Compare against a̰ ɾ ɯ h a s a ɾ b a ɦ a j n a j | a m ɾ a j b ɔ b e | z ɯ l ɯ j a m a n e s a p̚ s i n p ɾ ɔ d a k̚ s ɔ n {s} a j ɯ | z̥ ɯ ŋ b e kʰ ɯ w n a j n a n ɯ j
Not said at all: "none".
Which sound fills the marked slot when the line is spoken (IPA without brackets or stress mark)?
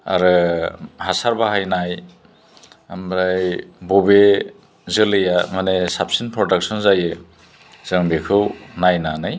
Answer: z